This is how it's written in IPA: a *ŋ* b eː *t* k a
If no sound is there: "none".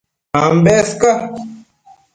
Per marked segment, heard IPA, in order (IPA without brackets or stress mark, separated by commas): m, s